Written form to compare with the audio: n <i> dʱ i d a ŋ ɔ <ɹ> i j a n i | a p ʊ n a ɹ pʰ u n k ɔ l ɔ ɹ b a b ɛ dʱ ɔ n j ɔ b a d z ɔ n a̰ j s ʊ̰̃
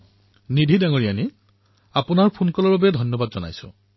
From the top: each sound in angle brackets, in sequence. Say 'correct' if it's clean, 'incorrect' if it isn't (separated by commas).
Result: correct, correct